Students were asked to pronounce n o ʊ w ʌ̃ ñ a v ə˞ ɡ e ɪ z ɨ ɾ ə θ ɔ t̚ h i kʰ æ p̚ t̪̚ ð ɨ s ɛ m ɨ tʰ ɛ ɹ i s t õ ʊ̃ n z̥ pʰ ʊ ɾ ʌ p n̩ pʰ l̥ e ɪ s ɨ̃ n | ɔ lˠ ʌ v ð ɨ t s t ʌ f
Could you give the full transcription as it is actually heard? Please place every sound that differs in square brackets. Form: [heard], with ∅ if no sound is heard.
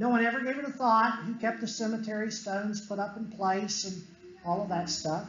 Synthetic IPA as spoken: n o ʊ w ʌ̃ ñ [ɛ] v ə˞ ɡ e ɪ [v] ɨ ɾ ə θ ɔ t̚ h i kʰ [ɛ] p̚ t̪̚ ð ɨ s ɛ m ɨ tʰ ɛ ɹ i s t õ ʊ̃ n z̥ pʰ ʊ ɾ ʌ p n̩ pʰ l̥ e ɪ s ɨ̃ n | ɔ lˠ ʌ v ð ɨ t s t ʌ f